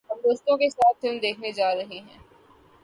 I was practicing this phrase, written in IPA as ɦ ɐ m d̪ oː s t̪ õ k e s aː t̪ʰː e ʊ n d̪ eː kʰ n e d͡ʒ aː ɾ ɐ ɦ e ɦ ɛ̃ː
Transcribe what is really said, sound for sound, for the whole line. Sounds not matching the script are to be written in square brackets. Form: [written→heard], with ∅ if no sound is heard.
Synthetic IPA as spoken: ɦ ɐ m d̪ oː s t̪ õ k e s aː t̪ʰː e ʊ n d̪ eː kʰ n e d͡ʒ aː ɾ ɐ ɦ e ɦ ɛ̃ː